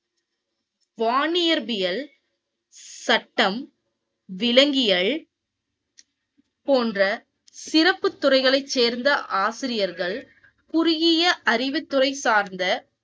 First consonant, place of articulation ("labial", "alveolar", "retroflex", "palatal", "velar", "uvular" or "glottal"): labial